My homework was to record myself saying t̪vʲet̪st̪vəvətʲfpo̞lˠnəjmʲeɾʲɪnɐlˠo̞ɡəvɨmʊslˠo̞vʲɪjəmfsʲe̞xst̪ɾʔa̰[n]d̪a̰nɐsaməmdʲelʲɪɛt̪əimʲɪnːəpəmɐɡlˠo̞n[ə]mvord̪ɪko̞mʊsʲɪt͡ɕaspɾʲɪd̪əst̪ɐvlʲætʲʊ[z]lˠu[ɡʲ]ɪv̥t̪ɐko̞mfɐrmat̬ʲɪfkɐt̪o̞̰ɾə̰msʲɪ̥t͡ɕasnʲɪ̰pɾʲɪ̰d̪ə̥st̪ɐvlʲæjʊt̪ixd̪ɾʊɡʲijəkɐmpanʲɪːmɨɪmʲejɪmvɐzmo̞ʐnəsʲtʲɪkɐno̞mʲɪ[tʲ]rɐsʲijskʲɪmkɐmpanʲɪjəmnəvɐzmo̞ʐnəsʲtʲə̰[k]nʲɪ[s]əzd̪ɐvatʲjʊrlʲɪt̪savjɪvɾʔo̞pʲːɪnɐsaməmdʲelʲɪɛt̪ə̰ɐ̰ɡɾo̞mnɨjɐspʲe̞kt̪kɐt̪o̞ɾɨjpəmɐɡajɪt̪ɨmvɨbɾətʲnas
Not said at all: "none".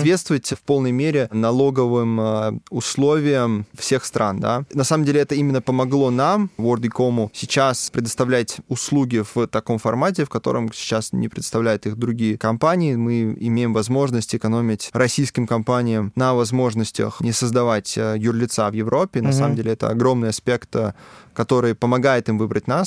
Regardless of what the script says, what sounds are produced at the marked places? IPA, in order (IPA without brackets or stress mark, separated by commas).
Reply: n, a, s, ɡʲ, tʲ, x, s